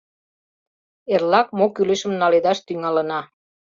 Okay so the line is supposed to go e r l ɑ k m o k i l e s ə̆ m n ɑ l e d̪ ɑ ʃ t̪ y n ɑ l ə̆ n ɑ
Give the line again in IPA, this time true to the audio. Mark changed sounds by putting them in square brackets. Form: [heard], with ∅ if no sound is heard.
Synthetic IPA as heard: e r l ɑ k m o k [y] l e [ʃ] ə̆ m n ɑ l e d̪ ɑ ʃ t̪ y [ŋ] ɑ l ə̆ n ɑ